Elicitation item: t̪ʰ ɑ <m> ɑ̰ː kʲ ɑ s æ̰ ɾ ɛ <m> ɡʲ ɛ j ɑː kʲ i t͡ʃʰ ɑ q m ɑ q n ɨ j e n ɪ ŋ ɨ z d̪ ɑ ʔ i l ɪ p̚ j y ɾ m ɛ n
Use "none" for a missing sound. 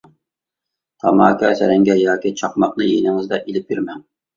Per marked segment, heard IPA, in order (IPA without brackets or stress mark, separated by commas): m, ŋ